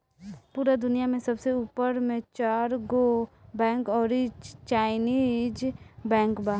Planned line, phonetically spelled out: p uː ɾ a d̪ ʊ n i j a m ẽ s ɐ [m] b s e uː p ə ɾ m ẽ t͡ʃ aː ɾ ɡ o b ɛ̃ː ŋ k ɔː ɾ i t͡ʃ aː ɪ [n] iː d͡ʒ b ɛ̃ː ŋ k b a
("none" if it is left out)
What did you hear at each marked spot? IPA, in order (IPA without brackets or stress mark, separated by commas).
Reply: none, n